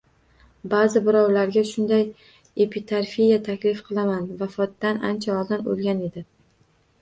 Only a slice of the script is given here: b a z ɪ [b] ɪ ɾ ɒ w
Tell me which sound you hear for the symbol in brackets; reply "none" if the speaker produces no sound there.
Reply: b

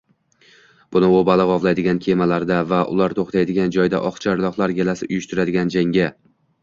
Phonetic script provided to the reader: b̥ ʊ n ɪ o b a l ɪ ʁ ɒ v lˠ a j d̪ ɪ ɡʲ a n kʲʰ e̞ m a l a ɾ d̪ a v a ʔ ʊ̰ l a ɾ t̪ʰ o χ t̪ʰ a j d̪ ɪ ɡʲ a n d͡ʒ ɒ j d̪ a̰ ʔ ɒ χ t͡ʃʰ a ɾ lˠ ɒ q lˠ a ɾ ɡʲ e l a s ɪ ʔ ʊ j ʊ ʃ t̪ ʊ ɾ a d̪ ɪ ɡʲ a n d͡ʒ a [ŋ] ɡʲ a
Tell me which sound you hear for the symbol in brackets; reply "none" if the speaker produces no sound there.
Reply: ŋ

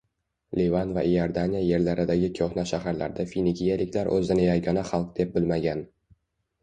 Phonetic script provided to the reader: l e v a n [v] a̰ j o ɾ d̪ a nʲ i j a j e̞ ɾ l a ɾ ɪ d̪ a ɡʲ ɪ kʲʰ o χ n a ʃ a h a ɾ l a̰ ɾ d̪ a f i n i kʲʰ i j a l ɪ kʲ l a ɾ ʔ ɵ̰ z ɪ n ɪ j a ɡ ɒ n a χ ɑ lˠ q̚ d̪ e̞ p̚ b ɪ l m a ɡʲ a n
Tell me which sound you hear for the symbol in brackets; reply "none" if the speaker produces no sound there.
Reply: v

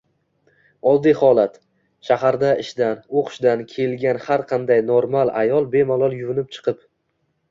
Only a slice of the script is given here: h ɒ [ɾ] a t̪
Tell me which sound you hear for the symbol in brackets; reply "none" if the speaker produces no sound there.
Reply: l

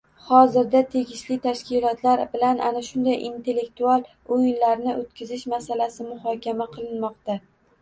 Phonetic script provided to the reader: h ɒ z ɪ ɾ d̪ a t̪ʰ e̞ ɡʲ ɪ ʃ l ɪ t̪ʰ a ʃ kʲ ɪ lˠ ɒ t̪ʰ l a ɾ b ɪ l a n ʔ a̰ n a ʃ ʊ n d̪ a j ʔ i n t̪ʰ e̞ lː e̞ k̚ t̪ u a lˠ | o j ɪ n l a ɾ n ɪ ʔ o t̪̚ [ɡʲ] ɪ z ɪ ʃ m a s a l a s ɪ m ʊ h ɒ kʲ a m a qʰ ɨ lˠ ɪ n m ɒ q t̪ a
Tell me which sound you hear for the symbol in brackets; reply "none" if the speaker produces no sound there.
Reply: kʲ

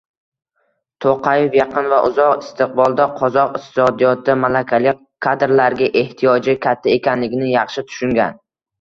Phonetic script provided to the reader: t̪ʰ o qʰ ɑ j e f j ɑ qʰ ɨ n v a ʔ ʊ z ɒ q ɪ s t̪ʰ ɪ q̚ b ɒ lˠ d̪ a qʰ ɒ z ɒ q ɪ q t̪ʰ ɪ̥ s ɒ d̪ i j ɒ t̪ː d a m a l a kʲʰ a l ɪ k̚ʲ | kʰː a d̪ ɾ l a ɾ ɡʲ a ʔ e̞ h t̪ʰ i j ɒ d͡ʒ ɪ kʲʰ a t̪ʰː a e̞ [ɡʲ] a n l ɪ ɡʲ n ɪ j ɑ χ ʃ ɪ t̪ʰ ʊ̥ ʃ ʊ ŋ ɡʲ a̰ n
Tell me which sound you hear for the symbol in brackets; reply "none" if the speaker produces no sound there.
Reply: kʲ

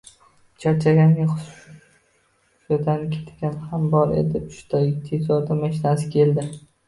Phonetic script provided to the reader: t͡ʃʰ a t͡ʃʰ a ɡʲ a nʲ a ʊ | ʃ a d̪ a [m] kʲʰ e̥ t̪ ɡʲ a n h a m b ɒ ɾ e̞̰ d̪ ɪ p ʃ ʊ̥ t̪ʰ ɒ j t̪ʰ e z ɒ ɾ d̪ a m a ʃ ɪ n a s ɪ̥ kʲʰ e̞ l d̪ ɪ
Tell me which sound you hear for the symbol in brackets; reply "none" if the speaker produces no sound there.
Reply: n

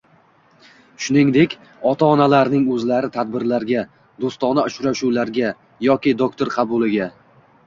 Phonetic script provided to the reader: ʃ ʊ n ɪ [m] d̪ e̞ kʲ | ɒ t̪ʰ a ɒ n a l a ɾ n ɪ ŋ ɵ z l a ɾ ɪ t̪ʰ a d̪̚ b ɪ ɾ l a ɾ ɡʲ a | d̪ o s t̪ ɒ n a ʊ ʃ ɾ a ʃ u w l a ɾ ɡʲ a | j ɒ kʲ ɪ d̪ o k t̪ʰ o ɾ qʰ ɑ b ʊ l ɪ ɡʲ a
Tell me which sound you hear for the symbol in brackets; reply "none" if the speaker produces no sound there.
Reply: ŋ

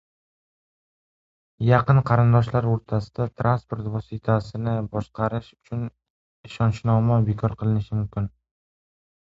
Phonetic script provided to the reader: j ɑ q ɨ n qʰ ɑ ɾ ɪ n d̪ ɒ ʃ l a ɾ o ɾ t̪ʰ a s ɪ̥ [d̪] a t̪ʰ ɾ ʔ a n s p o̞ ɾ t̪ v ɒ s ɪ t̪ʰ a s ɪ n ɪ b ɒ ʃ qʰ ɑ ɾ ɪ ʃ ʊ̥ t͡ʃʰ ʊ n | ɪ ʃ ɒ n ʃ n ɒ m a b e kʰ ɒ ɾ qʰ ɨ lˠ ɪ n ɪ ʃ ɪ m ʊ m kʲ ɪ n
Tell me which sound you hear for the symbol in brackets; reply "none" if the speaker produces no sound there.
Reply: d̪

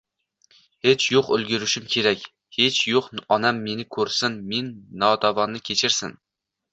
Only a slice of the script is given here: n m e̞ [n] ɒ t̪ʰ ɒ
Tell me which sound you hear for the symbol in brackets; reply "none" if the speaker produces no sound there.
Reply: nː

